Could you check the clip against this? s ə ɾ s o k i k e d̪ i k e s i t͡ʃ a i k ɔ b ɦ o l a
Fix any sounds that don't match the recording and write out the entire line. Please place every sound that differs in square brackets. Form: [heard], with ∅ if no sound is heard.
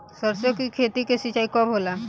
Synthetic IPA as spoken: s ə ɾ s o k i [kʰ] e [t̪] i k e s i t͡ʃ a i k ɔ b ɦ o l a